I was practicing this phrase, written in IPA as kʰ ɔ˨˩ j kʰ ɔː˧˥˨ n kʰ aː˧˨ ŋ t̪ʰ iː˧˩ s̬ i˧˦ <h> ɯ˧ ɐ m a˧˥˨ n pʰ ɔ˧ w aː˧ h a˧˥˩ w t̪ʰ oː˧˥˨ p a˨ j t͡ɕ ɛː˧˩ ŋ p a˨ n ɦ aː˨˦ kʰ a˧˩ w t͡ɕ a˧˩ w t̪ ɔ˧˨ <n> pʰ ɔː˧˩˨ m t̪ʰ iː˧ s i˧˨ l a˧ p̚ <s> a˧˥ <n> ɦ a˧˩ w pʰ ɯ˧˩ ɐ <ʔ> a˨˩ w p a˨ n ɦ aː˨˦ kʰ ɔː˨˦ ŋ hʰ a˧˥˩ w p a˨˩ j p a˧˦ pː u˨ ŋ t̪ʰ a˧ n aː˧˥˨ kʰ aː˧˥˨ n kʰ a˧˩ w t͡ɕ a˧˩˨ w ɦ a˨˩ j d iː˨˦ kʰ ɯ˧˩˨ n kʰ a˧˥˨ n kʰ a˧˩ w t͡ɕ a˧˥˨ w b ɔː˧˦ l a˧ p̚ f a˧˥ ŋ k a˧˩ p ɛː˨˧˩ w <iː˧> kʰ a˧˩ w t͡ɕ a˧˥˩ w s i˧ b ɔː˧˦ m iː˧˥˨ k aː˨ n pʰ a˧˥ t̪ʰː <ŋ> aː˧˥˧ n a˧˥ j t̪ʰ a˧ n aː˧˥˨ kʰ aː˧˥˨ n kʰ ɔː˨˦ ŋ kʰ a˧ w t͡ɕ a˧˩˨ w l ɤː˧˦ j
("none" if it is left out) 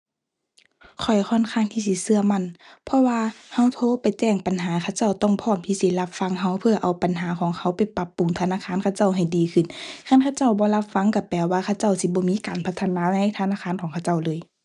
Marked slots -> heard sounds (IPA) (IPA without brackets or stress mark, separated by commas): s, ŋ, f, ŋ, ʔ, aː˧, n